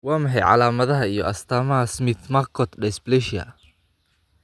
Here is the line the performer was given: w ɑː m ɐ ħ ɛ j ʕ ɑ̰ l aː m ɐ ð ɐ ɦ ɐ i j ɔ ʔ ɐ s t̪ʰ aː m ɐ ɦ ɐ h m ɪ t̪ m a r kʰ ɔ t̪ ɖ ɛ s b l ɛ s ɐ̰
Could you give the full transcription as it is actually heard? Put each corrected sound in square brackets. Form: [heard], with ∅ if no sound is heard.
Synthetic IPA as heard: w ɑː m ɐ ħ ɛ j ʕ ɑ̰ l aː m ɐ ð ɐ ɦ ɐ i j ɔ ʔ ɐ s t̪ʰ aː m ɐ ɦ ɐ [s] m ɪ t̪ m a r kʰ ɔ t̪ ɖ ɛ s b l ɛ [ʃ] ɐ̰